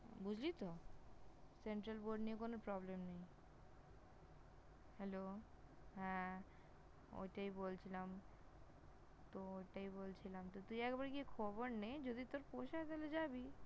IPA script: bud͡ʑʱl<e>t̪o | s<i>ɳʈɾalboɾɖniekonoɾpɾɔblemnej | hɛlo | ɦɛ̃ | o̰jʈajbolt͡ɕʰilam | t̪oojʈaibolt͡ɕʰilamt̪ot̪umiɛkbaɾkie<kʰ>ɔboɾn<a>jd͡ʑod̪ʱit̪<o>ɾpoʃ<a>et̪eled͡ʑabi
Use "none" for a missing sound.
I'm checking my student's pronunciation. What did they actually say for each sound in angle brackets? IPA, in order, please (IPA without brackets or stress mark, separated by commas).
i, e, kʰ, e, o, a